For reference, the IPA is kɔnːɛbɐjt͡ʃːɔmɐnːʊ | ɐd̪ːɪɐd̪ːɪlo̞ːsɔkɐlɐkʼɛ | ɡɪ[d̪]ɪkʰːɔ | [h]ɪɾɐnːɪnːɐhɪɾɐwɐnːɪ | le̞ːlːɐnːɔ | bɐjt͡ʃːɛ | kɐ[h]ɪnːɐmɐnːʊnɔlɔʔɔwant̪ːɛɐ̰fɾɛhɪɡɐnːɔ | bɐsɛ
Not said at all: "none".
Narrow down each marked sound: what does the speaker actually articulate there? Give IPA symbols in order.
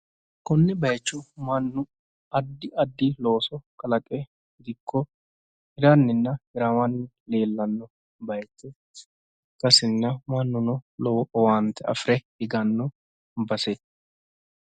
d̪, h, s

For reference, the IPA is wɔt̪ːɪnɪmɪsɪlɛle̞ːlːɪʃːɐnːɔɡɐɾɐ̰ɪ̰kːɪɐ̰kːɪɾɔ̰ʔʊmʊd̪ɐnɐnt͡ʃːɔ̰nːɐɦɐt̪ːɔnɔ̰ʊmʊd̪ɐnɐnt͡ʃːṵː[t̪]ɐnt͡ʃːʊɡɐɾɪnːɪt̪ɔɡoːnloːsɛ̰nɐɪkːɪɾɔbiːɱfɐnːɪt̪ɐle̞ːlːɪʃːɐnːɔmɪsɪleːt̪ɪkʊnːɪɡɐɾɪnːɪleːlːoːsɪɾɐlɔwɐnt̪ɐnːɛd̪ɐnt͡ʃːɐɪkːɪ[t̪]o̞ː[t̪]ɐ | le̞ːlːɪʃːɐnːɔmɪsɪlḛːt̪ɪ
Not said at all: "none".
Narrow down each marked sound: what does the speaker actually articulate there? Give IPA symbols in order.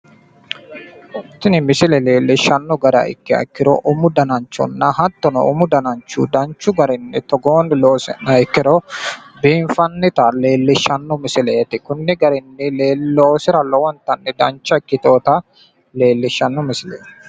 d̪, t̪, t̪

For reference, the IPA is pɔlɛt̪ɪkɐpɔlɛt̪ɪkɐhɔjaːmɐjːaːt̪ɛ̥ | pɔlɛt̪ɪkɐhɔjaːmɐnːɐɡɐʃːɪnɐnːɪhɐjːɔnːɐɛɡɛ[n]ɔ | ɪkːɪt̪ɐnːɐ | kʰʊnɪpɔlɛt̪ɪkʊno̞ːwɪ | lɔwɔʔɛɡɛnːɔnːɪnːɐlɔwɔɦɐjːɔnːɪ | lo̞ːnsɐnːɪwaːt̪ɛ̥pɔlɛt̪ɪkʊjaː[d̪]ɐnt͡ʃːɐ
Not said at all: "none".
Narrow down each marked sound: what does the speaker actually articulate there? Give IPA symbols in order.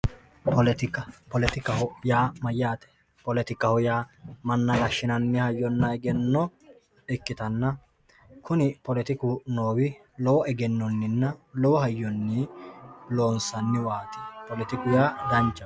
nː, d̪

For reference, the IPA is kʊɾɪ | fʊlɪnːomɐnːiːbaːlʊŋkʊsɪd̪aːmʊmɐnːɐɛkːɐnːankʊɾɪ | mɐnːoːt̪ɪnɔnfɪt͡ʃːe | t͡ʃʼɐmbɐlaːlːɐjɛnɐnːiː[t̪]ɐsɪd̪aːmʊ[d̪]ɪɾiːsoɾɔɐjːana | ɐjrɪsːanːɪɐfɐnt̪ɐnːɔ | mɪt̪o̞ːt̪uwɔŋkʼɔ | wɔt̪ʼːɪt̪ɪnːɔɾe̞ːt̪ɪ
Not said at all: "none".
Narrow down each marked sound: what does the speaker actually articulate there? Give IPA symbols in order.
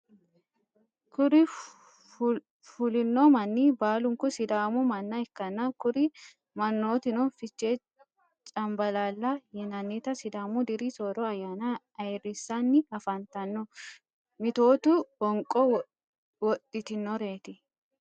t̪, d̪

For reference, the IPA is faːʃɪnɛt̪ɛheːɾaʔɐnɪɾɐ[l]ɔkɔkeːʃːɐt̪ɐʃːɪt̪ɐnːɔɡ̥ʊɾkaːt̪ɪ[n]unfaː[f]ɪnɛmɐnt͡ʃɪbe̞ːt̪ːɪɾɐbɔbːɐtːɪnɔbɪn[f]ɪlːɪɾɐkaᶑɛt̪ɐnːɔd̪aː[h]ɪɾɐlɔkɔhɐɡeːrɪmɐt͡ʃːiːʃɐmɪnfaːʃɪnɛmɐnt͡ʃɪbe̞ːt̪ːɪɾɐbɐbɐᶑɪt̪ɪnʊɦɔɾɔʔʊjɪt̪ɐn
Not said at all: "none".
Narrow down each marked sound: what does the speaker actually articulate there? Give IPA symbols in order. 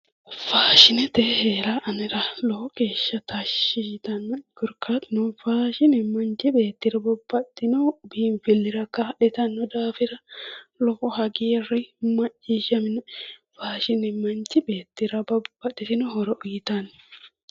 l, n, ʃ, f, f

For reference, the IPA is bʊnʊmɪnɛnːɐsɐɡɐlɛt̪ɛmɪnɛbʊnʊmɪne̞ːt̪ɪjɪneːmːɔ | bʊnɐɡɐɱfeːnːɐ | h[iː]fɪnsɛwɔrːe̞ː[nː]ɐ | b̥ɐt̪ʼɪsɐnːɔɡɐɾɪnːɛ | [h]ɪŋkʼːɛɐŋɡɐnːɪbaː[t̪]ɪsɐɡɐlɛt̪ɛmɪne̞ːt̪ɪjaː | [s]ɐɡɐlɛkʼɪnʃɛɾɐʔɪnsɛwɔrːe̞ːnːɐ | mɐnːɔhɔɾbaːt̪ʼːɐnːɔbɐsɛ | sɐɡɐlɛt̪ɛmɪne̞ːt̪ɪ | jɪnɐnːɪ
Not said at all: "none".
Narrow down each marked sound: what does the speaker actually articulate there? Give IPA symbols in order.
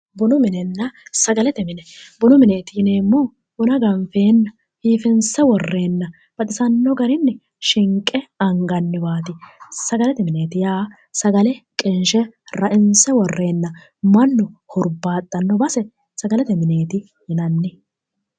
iː, nː, ʃ, t̪, s

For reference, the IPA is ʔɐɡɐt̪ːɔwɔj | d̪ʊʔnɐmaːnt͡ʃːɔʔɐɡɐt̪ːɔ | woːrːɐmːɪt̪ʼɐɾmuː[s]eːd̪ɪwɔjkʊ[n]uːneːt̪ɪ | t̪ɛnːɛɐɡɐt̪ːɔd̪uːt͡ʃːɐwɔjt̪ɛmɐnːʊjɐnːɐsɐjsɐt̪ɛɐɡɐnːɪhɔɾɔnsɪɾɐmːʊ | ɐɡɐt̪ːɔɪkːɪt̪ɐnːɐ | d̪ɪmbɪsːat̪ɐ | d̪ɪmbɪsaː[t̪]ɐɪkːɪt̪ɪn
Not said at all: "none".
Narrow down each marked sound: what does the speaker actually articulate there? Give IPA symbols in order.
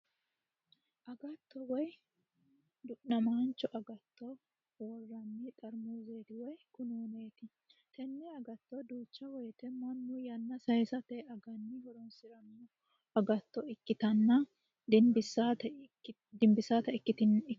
z, n, t̪

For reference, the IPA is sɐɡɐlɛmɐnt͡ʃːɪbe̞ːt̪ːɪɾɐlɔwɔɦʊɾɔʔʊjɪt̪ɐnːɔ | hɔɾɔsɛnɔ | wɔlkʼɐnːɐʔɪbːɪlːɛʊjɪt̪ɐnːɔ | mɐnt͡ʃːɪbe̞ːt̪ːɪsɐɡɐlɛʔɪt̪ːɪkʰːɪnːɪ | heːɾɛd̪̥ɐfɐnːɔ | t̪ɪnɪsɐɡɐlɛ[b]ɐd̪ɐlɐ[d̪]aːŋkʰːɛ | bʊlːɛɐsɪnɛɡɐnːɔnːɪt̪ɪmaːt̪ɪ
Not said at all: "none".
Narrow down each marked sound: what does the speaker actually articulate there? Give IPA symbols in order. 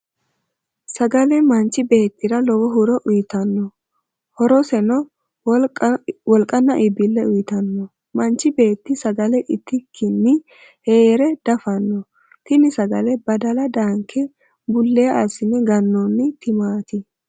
b, d̪

